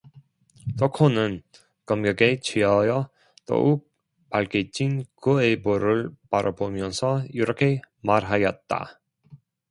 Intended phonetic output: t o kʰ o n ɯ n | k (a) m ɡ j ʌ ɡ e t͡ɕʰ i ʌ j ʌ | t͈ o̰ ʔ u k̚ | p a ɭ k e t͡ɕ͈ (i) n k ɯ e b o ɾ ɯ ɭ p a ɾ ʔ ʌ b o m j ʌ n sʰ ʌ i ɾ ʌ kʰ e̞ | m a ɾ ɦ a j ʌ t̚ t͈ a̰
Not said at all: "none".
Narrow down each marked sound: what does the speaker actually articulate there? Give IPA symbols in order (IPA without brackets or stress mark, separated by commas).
ʌ, i